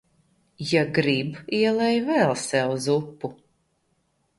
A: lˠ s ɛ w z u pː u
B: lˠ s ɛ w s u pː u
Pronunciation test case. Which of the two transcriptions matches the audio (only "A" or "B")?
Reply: A